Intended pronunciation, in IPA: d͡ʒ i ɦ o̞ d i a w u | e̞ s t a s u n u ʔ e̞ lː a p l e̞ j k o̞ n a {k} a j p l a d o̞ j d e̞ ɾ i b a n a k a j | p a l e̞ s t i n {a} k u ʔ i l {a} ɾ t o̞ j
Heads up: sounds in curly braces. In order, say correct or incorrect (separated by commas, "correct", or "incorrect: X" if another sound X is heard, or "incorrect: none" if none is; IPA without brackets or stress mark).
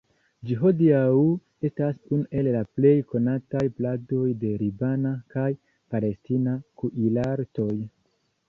incorrect: t, correct, correct